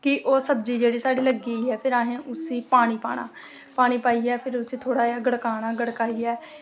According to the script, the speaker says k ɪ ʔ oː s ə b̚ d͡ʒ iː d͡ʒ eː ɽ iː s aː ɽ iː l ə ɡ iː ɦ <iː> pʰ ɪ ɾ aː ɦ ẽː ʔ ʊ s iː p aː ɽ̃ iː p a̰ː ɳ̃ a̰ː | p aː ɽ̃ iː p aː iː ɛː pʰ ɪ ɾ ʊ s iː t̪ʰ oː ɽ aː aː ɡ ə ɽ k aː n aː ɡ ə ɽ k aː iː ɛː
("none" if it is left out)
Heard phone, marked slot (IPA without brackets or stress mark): ɛː